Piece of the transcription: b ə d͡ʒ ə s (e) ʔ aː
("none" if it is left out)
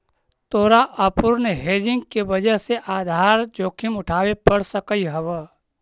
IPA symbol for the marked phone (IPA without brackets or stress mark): e